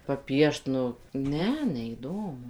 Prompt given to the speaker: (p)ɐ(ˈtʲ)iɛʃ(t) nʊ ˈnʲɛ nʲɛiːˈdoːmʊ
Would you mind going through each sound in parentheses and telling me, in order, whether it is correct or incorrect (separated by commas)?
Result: correct, incorrect, correct